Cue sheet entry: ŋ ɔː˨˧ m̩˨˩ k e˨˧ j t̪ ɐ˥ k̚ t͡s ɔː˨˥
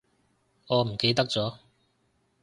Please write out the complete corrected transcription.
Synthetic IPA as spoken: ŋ ɔː˨˧ m̩˨˩ k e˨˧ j t̪ ɐ˥ k̚ t͡s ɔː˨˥